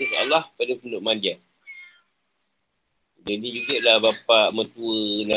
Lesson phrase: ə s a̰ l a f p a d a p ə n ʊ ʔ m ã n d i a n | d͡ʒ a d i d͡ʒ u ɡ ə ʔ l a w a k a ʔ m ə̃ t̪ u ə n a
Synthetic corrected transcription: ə s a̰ l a h p a d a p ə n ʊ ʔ m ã n d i a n | d͡ʒ a d i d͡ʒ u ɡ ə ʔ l a b a p a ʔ m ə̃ t̪ u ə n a